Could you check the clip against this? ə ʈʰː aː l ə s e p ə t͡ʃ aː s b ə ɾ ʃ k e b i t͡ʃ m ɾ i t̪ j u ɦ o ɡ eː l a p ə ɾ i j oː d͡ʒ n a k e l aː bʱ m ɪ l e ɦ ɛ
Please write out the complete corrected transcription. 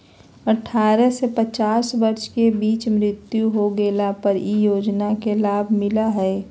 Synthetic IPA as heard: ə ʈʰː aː ɾ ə s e p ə t͡ʃ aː s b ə ɾ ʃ k e b iː t͡ʃ m ɾ ɪ t̪ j u ɦ o ɡ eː l a p ə ɾ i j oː d͡ʒ n a k e l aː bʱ m ɪ l a ɦ ɛ